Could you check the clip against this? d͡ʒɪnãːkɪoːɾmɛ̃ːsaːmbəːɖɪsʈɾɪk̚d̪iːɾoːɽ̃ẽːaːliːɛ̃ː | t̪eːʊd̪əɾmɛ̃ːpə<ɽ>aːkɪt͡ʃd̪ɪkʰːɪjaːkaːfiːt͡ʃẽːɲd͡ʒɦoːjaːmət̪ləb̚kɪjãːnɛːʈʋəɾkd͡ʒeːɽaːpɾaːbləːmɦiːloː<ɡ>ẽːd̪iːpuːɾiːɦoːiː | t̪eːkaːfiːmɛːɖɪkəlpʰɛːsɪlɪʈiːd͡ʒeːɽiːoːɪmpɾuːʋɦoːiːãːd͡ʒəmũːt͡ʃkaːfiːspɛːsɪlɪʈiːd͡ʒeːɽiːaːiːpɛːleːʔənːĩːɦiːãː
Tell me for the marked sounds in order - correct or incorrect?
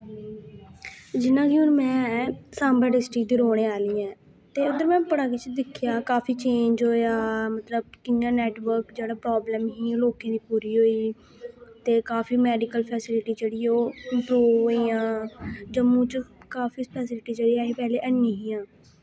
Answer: correct, incorrect

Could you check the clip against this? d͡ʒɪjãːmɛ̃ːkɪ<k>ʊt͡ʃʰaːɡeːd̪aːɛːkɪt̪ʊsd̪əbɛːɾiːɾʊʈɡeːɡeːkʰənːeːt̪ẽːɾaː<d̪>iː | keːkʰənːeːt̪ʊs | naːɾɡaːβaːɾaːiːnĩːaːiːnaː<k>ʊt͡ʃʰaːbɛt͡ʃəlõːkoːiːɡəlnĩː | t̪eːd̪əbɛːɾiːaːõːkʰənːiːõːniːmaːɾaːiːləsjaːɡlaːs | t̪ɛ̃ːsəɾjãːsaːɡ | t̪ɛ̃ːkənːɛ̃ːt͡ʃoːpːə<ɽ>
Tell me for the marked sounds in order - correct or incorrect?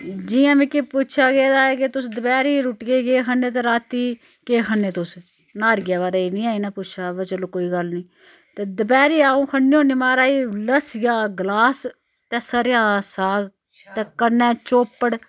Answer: incorrect, incorrect, incorrect, correct

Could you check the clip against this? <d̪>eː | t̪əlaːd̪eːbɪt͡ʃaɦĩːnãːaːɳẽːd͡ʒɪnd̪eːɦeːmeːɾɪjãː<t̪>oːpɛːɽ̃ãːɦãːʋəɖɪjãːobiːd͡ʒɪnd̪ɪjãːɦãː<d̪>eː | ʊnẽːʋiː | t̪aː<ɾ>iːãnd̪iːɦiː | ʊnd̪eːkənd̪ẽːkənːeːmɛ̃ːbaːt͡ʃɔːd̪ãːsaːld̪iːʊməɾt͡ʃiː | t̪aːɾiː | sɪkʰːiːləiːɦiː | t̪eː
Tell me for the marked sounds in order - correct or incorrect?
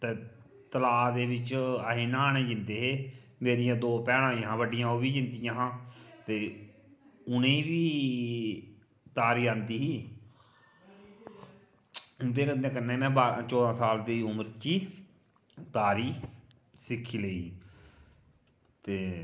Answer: incorrect, incorrect, incorrect, correct

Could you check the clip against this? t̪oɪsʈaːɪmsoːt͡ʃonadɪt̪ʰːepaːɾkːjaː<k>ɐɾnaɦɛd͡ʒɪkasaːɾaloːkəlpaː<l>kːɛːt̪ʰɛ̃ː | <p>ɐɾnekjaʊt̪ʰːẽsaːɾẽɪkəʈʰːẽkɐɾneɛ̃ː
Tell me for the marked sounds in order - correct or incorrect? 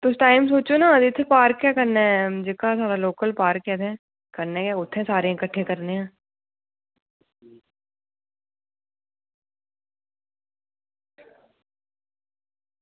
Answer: correct, incorrect, incorrect

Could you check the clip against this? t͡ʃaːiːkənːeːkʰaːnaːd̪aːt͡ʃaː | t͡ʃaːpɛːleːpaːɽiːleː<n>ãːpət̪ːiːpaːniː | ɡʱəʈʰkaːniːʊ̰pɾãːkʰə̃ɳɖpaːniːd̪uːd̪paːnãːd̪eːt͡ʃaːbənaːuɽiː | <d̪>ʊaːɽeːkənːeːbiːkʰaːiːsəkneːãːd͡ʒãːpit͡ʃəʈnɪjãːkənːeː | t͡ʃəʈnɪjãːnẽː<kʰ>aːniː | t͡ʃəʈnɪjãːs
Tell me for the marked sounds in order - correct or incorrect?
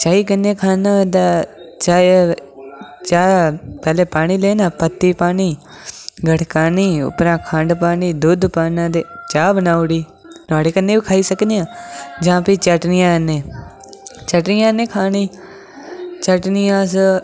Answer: correct, incorrect, correct

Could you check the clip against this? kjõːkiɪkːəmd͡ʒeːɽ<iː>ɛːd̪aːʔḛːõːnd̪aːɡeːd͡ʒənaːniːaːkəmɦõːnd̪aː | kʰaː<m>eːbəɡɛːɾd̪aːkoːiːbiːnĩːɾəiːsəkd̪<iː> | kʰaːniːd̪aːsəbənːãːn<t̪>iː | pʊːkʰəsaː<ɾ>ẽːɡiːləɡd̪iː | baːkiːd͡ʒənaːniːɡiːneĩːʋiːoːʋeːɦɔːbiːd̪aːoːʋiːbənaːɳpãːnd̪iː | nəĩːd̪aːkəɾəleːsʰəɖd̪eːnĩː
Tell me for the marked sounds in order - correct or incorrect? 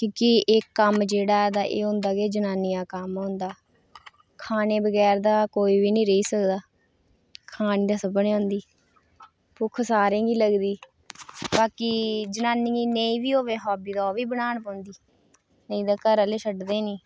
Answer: incorrect, incorrect, incorrect, incorrect, correct

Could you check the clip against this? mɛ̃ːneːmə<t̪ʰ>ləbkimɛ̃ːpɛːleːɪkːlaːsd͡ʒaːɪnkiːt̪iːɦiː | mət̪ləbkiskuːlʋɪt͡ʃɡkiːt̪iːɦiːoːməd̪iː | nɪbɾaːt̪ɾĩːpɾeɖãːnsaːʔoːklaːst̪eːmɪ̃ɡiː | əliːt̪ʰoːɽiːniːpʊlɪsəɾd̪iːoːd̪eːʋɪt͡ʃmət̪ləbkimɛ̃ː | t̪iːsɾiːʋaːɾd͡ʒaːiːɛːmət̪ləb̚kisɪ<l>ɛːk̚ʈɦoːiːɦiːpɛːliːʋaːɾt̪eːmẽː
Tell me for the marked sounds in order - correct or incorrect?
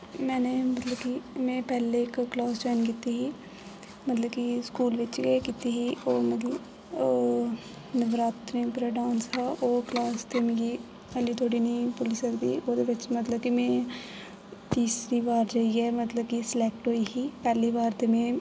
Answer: incorrect, correct

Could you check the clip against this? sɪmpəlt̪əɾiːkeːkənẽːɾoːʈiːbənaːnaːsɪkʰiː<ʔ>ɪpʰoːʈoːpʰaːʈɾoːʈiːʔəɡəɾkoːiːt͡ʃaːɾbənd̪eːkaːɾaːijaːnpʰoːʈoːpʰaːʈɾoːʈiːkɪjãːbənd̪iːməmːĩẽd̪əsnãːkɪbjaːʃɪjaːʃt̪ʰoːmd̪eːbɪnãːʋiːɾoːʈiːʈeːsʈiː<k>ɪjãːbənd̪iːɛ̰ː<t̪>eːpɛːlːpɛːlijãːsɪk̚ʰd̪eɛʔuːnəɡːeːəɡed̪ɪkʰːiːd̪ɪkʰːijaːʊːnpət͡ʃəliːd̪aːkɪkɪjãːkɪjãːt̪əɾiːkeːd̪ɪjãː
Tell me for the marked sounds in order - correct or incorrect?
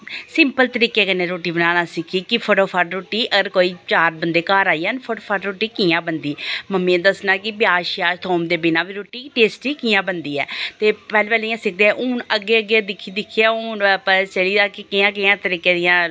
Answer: incorrect, correct, correct

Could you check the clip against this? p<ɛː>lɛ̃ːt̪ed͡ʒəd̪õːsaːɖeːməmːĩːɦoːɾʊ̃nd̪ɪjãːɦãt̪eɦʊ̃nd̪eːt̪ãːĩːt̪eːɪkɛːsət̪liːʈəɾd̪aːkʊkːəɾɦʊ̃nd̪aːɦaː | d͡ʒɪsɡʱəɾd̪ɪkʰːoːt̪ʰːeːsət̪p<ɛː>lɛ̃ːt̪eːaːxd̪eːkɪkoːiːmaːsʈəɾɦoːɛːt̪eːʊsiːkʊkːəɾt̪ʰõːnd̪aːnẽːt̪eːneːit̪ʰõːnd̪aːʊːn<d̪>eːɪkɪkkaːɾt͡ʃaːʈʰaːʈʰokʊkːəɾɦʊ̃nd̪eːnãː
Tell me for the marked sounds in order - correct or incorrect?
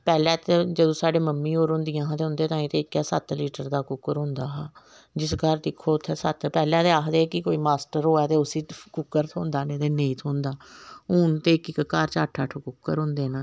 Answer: correct, correct, incorrect

